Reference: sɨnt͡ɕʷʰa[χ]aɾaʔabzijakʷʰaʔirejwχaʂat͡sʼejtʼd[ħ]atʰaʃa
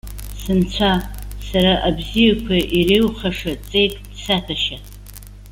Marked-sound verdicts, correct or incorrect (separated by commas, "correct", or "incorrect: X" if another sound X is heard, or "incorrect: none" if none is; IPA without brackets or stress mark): incorrect: s, incorrect: s